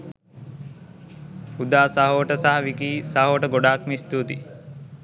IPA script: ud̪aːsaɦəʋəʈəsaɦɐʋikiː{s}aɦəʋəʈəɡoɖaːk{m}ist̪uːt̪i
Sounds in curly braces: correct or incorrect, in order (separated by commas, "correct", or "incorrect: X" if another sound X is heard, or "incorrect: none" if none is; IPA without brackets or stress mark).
correct, correct